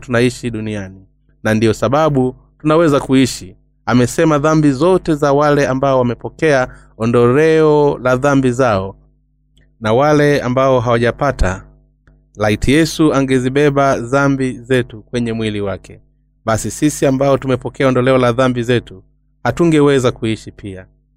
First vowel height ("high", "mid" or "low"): high